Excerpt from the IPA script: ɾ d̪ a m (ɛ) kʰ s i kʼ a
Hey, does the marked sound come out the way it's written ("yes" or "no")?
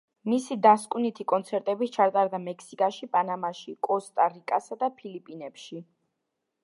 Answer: yes